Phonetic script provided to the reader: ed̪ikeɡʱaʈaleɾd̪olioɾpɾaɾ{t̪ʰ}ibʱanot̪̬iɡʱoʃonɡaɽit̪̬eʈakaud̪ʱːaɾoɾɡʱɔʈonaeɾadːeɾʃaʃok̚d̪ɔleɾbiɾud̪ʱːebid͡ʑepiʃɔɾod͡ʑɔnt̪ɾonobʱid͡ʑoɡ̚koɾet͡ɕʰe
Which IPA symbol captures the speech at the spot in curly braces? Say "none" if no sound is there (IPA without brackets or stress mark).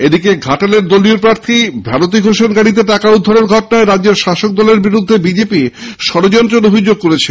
t̪ʰ